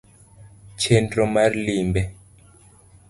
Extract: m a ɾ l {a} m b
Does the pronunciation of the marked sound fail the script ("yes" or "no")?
yes